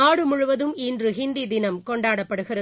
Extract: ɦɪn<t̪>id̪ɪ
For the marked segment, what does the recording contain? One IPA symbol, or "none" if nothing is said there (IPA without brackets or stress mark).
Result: d̪